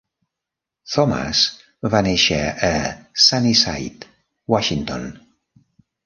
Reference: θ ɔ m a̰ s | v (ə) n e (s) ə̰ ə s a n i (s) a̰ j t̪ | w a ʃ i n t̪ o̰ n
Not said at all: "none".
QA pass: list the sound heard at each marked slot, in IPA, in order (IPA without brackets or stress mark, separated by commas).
a, ʃ, s